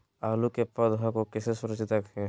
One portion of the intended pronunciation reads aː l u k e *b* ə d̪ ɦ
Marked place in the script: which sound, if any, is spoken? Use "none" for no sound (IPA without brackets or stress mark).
p